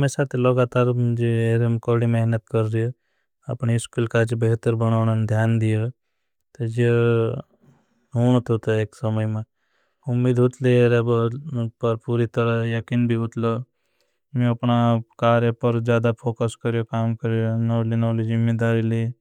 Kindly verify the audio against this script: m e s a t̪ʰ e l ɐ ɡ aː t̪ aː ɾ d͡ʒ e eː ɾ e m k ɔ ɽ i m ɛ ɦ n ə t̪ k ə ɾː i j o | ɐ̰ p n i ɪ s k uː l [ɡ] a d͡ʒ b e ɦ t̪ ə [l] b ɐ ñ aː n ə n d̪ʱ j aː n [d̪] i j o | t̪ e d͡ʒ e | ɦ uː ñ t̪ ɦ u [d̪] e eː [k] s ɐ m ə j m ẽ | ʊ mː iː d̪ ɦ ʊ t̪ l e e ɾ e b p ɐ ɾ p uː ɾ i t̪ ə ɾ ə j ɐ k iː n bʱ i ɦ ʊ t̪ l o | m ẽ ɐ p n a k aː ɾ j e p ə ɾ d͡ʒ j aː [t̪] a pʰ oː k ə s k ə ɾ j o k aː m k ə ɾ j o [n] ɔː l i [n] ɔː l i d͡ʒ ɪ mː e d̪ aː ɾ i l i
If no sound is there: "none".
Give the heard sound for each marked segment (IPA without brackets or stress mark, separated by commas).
k, ɾ, d̪, t̪, k, d̪, n, n